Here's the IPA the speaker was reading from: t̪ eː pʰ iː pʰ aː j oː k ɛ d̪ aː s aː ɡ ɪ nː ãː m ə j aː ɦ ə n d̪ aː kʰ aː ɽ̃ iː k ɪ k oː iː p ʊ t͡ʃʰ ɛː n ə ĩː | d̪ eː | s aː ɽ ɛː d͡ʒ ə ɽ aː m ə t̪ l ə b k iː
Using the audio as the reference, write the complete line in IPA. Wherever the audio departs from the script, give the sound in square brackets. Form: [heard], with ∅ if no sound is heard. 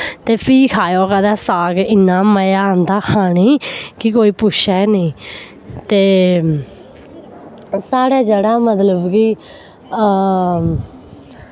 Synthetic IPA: t̪ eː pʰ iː [kʰ] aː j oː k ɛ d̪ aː s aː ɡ ɪ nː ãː m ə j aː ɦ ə n d̪ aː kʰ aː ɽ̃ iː k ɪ k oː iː p ʊ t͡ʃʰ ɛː n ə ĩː | [t̪] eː | s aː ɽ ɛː d͡ʒ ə ɽ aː m ə t̪ l ə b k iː

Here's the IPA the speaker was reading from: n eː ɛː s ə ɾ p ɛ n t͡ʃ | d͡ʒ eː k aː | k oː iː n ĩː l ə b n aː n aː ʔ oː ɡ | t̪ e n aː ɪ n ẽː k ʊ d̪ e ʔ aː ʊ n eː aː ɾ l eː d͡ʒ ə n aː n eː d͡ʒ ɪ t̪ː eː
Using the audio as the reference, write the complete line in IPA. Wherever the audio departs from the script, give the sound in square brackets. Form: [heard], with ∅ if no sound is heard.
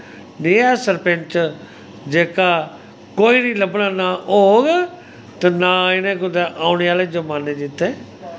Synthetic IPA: n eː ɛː s ə ɾ p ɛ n t͡ʃ | d͡ʒ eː k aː | k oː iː n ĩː l ə b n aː n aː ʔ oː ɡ | t̪ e n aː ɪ n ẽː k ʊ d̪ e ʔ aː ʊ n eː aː [∅] l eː d͡ʒ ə [m] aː n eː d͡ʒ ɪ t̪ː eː

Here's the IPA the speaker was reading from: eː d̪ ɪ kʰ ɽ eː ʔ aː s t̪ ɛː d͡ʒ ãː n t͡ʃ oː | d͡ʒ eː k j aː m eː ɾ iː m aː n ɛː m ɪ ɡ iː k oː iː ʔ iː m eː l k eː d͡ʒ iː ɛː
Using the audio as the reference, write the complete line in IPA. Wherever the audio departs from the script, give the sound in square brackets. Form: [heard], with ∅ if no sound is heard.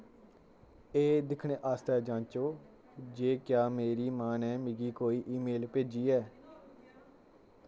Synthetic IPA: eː d̪ ɪ kʰ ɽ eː ʔ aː s t̪ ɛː d͡ʒ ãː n t͡ʃ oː | d͡ʒ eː k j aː m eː ɾ iː m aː n ɛː m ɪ ɡ iː k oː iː ʔ iː m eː l [p] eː d͡ʒ iː ɛː

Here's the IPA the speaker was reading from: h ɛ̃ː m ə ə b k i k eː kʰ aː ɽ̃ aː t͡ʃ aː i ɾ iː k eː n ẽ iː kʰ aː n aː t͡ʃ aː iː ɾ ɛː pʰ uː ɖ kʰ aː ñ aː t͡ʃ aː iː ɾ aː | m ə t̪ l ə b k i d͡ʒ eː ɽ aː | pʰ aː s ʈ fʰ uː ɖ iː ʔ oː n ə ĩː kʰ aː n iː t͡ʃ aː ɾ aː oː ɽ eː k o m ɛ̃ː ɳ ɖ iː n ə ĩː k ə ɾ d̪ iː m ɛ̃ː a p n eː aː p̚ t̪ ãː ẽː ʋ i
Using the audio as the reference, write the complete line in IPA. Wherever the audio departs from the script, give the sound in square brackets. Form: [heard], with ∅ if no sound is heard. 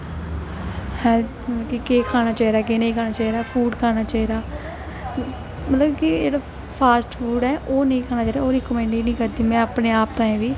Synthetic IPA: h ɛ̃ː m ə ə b k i k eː kʰ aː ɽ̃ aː t͡ʃ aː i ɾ [aː] k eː n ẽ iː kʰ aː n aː t͡ʃ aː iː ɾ [aː] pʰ uː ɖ kʰ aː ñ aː t͡ʃ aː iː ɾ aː | m ə t̪ l ə b k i d͡ʒ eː ɽ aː | pʰ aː s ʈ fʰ uː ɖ [ɛː] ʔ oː n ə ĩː kʰ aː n [aː] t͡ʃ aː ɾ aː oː [ɾ] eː k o m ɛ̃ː ɳ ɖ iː n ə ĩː k ə ɾ d̪ iː m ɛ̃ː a p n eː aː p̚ t̪ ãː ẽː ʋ [iː]

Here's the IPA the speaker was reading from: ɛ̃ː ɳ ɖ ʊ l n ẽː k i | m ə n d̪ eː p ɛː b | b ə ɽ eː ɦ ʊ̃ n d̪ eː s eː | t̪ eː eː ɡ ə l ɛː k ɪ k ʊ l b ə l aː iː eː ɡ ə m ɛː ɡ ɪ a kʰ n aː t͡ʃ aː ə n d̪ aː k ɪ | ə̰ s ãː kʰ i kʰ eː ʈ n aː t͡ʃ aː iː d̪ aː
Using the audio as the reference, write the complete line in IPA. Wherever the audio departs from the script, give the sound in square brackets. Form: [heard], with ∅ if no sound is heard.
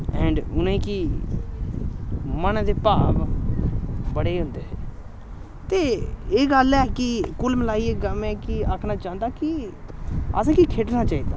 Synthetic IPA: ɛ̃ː ɳ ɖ ʊ [∅] n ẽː k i | m ə n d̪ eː p [aː] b | b ə ɽ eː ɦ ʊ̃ n d̪ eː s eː | t̪ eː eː ɡ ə l ɛː k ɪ k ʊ l [m] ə l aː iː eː ɡ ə m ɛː [k] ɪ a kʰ n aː t͡ʃ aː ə n d̪ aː k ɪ | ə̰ s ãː [k] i kʰ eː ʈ n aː t͡ʃ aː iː d̪ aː

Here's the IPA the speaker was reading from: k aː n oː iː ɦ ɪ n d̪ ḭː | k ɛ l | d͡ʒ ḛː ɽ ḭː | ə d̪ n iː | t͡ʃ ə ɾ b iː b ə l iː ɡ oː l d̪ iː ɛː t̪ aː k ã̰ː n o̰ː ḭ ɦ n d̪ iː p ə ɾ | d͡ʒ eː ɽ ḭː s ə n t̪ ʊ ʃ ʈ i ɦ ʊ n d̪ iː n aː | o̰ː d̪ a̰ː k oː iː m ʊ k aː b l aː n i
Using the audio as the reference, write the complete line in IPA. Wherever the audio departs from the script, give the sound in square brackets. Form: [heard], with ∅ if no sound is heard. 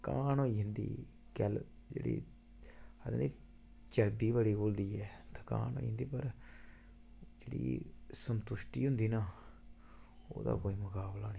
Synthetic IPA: k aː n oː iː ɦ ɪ n d̪ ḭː | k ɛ l | d͡ʒ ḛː ɽ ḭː | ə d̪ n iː | t͡ʃ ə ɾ b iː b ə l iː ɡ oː l d̪ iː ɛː t̪ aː k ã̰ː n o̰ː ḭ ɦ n d̪ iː p ə ɾ | d͡ʒ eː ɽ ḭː s ə n t̪ ʊ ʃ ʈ [iː] ɦ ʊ n d̪ iː n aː | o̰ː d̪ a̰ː k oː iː m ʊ k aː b l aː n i

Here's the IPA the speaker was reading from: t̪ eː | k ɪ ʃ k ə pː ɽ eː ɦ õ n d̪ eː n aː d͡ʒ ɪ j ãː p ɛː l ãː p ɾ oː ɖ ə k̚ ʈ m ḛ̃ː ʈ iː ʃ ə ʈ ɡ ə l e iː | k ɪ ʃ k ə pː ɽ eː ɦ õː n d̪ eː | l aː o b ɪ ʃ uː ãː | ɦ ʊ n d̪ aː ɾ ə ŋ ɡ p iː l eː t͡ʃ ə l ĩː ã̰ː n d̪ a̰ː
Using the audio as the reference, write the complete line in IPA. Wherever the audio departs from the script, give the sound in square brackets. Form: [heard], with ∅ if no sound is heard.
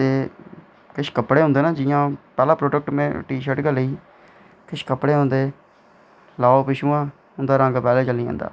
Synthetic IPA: t̪ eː | k ɪ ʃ k ə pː ɽ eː ɦ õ n d̪ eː n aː d͡ʒ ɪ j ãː p ɛː l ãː p ɾ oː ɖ ə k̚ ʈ m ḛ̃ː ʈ iː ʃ ə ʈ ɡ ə l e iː | k ɪ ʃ k ə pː ɽ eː ɦ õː n d̪ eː | l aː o [p] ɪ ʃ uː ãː | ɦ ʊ n d̪ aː ɾ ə ŋ ɡ p [ɛː] l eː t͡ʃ ə l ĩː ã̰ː n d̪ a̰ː

